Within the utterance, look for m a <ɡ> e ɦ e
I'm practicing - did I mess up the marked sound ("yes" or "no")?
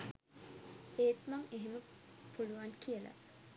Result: yes